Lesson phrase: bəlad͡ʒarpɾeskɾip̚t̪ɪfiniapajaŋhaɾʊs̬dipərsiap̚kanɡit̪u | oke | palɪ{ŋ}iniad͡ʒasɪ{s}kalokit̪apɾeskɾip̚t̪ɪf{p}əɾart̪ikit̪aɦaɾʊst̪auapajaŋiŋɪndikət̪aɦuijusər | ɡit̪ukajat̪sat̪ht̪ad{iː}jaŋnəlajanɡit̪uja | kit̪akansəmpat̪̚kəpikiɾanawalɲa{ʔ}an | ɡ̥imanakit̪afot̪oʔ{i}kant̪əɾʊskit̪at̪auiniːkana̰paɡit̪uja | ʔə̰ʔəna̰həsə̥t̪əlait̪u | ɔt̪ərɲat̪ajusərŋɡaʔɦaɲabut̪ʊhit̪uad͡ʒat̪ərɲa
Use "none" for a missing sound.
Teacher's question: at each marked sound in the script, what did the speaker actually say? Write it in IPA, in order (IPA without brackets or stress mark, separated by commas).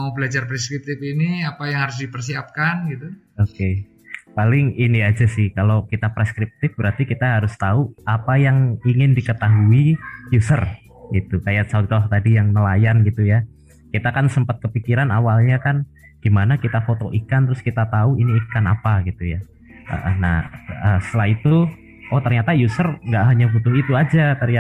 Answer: ŋ, h, b, i, k, i